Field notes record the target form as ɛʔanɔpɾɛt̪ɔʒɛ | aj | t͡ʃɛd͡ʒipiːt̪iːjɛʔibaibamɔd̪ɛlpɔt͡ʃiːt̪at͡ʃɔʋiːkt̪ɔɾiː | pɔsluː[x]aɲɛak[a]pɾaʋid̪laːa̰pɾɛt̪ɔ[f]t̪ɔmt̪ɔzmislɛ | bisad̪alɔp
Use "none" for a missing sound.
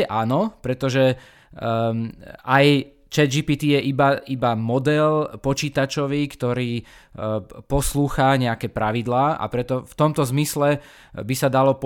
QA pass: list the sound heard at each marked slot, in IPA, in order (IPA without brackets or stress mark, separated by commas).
x, ɛ, f